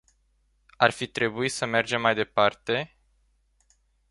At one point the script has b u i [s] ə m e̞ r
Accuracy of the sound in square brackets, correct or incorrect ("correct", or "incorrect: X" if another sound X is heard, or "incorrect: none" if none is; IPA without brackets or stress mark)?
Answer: correct